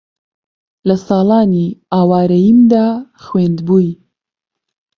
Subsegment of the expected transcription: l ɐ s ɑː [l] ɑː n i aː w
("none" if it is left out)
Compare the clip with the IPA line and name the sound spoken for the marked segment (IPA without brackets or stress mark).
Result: l